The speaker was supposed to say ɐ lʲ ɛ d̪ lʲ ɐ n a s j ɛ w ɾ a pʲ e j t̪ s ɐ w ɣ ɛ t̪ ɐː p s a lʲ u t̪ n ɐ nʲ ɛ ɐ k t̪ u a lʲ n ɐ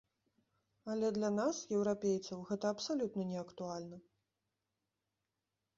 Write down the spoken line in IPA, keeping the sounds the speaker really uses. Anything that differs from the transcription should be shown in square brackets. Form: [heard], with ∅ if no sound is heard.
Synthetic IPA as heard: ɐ lʲ ɛ d̪ lʲ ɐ n a s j ɛ w ɾ a pʲ e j t̪ s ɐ w ɣ ɛ t̪ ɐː p s a lʲ u t̪ n ɐ nʲ ɛ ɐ k t̪ u a lʲ n ɐ